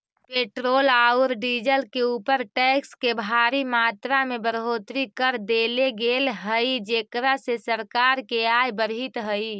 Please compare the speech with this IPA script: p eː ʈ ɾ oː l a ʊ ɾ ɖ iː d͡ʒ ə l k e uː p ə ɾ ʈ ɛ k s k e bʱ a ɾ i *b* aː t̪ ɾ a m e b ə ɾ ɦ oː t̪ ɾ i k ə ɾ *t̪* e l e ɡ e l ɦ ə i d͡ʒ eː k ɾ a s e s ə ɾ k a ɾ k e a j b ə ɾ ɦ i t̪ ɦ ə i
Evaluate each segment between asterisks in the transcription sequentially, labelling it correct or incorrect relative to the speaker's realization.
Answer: incorrect: m, incorrect: d̪

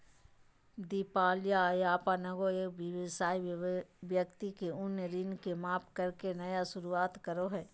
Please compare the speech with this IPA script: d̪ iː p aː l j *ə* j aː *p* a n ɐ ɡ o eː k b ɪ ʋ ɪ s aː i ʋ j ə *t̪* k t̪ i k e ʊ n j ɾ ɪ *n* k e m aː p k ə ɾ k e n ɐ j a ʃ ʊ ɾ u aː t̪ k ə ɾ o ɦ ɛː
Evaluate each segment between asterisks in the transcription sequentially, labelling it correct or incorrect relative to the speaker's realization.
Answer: incorrect: a, correct, incorrect: none, correct

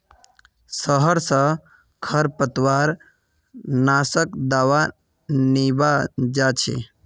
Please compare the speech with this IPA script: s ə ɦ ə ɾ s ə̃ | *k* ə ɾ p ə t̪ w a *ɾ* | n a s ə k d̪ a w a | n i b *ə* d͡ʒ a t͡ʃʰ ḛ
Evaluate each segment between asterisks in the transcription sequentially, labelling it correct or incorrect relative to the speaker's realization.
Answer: incorrect: kʰ, correct, incorrect: a

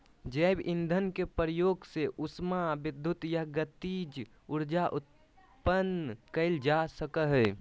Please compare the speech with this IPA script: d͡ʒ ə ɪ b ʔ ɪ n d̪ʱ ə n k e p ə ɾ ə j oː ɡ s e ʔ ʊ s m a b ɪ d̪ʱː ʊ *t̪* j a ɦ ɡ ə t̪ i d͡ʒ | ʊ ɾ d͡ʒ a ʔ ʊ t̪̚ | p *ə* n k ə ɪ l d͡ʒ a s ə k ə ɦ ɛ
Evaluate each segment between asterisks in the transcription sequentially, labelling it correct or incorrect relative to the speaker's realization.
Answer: correct, correct

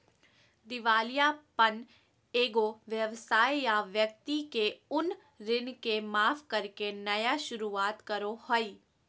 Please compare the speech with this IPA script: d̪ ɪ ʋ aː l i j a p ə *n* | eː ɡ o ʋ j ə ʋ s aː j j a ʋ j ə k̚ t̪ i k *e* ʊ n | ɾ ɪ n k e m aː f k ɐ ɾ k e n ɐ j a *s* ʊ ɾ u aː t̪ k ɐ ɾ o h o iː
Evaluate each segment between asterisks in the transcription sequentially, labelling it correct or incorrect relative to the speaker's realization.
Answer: correct, correct, incorrect: ʃ

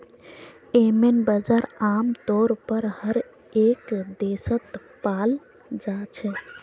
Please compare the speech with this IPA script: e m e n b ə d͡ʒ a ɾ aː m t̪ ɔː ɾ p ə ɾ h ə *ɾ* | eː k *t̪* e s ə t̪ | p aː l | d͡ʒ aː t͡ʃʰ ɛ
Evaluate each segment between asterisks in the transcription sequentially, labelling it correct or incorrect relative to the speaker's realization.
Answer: correct, incorrect: d̪

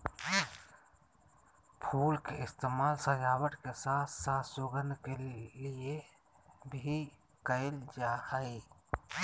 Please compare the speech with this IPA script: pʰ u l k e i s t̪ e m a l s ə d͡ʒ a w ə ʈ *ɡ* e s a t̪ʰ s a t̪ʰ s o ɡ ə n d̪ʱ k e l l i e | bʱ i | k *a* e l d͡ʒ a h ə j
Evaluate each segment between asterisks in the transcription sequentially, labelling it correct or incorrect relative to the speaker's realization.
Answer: incorrect: k, incorrect: ə

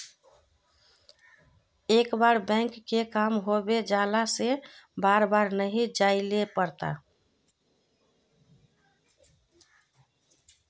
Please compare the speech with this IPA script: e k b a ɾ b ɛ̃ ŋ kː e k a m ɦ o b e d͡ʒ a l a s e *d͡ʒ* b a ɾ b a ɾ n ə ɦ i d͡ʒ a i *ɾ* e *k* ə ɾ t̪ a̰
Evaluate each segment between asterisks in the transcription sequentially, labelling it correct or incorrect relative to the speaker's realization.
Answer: incorrect: none, incorrect: l, incorrect: p

